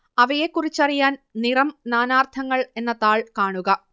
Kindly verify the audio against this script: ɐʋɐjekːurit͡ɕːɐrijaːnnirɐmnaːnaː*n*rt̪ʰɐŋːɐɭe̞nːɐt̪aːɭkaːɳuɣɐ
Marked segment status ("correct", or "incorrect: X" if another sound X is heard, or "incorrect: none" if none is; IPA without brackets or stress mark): incorrect: none